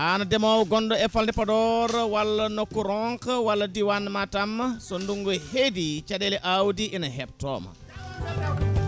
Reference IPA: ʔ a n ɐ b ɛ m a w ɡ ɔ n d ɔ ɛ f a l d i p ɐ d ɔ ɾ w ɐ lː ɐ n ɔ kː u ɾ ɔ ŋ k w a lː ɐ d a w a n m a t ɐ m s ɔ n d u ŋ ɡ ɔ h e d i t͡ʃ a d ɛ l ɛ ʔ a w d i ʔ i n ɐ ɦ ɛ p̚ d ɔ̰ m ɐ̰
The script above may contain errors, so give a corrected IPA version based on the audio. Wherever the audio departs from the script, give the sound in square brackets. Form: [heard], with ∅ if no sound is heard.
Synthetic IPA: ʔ a n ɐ [d] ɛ m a w ɡ ɔ n d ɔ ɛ f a l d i p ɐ d ɔ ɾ w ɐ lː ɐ n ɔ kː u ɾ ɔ ŋ k w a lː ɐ d [i] w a n m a t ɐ m s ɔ n d u ŋ ɡ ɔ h e d i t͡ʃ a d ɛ l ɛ ʔ a w d i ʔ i n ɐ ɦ ɛ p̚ [t] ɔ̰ m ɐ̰

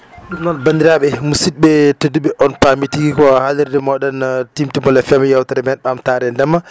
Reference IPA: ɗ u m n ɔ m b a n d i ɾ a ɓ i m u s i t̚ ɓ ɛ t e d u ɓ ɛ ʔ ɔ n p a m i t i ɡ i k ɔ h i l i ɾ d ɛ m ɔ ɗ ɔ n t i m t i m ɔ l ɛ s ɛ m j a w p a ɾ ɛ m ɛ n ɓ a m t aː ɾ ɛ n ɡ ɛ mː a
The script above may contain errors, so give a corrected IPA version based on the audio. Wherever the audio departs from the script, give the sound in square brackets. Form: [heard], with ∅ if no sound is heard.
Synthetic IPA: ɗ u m n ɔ [n] b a n d i ɾ a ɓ [ɛ] m u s i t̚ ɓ ɛ t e d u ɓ ɛ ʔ ɔ n p a m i t i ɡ i k ɔ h [a] l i ɾ d ɛ m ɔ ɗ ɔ n t i m t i m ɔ l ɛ [f] ɛ m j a w [t] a ɾ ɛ m ɛ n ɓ a m t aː ɾ ɛ n [d] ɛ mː a

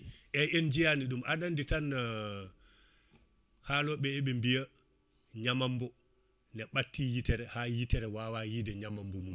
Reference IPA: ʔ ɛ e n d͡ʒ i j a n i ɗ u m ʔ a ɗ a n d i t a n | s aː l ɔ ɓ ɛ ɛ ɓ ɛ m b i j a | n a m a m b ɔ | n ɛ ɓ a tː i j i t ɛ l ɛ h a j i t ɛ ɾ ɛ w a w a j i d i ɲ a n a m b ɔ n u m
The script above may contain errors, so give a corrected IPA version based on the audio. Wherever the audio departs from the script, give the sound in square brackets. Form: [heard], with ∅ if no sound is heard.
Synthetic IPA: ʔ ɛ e n d͡ʒ i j a n i ɗ u m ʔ a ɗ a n d i t a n | [h] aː l ɔ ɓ ɛ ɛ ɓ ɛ m b i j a | [ɲ] a m a m b ɔ | n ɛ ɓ a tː i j i t ɛ [ɾ] ɛ h a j i t ɛ ɾ ɛ w a w a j i d [ɛ] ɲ a [m] a m b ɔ [m] u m

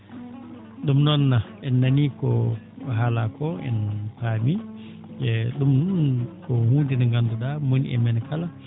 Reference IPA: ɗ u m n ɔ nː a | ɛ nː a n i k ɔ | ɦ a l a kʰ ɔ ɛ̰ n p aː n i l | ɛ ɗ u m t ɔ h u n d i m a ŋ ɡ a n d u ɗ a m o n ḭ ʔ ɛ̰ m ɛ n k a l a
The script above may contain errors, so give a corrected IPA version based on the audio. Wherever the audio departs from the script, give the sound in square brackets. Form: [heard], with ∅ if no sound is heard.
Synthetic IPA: ɗ u m n ɔ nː a | ɛ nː a n i k ɔ | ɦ a l a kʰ ɔ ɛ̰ n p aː [m] i [∅] | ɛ ɗ u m [k] ɔ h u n d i [n] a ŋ ɡ a n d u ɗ a m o n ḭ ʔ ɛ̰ m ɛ n k a l a

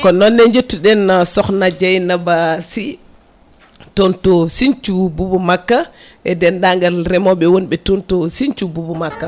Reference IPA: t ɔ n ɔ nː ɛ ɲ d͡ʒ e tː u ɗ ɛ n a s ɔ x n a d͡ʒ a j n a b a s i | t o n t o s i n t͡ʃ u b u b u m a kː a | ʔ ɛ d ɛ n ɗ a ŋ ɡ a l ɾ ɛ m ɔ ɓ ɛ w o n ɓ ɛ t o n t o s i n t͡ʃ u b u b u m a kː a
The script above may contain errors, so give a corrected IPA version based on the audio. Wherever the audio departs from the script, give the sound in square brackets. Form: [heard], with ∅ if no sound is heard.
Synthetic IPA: [k] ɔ n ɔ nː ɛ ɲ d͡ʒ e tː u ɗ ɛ n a s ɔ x n a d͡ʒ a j n a b a s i | t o n t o s i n t͡ʃ u b u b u m a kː a | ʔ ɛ d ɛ n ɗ a ŋ ɡ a l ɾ ɛ m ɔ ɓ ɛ w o n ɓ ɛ t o n t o s i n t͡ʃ u b u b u m a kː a

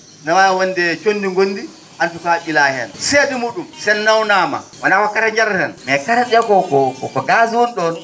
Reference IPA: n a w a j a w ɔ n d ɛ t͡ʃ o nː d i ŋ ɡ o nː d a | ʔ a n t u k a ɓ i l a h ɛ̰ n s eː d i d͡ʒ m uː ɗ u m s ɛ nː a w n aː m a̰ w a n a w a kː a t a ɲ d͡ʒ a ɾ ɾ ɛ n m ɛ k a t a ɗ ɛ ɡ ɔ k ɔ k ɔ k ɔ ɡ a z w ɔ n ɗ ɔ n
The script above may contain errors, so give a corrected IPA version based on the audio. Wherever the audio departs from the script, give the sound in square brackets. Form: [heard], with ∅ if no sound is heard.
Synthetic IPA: n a w a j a w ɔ n d ɛ t͡ʃ o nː d i ŋ ɡ o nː d [i] | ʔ a n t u k a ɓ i l a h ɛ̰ n s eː d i [∅] m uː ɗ u m s ɛ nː a w n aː m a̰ w a n a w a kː a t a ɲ d͡ʒ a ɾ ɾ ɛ n m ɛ k a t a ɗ ɛ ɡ ɔ k ɔ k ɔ k ɔ ɡ a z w ɔ n ɗ ɔ n

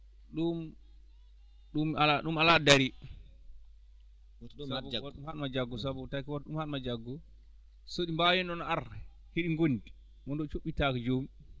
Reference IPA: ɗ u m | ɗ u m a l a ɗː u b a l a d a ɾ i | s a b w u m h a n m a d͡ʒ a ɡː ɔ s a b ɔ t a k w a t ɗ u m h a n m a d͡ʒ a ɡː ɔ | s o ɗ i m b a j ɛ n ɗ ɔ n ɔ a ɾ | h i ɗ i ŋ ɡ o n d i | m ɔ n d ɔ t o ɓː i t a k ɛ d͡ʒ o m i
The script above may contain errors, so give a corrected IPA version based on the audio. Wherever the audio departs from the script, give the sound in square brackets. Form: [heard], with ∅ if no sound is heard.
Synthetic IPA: ɗ u m | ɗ u m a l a [ɗ] u [m] a l a d a ɾ i | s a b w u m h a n m a d͡ʒ a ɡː ɔ s a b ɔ t a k w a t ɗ u m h a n m a d͡ʒ a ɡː ɔ | s o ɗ i m b a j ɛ n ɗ ɔ n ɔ a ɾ | h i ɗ i ŋ ɡ o n d i | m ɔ n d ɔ [t͡ʃ] o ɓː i t a k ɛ d͡ʒ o m i

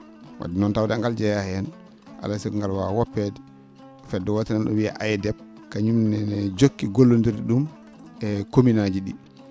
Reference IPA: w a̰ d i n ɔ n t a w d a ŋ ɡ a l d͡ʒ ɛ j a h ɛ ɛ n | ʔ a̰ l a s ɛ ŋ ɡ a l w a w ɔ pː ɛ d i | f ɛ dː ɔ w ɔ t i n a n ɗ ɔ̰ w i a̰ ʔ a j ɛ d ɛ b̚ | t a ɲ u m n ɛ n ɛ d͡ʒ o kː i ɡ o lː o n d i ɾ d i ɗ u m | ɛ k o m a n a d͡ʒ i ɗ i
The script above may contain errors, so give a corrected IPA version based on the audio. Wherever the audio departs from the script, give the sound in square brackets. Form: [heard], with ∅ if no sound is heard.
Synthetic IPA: w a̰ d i n ɔ n t a w d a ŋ ɡ a l d͡ʒ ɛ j a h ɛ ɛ n | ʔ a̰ l a s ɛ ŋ ɡ a l w a w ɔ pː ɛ d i | f ɛ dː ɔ w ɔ t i n a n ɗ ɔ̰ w i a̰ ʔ a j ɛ d ɛ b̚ | [k] a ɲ u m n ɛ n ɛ d͡ʒ o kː i ɡ o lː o n d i ɾ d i ɗ u m | ɛ k o m [i] n a d͡ʒ i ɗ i

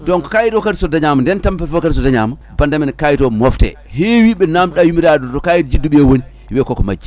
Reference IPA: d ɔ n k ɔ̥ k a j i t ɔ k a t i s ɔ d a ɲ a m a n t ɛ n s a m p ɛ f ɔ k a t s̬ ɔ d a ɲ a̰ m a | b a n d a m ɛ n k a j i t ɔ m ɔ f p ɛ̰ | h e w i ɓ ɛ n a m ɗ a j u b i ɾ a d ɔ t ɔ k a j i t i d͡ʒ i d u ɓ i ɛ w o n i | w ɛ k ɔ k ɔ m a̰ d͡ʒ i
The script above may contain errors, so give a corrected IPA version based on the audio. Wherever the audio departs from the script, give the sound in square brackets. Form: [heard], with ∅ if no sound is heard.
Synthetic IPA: d ɔ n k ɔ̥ k a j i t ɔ k a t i s ɔ d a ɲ a m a n [d] ɛ n [t] a m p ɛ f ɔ k a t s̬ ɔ d a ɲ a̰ m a | b a n d a m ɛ n k a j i t ɔ m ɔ f [t] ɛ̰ | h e w i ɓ ɛ n a m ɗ a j u [m] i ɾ a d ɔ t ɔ k a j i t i d͡ʒ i d u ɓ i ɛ w o n i | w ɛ k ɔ k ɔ m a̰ d͡ʒ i

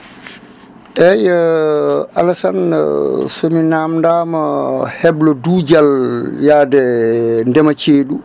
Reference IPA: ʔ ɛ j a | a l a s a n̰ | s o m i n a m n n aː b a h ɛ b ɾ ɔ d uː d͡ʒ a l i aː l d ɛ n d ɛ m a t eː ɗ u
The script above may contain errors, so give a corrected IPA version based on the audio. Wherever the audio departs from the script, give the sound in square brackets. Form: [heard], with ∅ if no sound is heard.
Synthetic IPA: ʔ ɛ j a | a l a s a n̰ | s o m i n a m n [d] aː [m] a h ɛ b [l] ɔ d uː d͡ʒ a l [j] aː [∅] d ɛ n d ɛ m a [t͡ʃ] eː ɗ u

